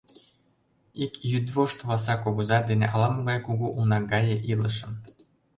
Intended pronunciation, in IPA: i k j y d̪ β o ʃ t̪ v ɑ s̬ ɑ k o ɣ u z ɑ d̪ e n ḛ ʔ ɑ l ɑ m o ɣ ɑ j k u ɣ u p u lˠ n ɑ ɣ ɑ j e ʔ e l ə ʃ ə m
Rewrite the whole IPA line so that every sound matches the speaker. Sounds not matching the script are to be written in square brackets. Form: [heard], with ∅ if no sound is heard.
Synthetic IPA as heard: i k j y d̪ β o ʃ t̪ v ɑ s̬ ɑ k o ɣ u z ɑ d̪ e n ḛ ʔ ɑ l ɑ m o ɣ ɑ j k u ɣ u [ʔ] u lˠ n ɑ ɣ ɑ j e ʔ [i] l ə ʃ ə m